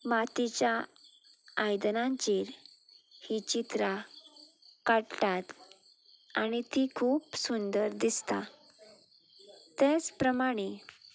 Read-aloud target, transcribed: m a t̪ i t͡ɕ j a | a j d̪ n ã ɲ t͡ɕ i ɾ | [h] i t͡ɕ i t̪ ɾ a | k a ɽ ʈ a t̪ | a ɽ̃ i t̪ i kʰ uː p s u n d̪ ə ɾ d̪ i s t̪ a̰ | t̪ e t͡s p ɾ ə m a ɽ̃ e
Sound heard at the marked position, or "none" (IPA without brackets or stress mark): h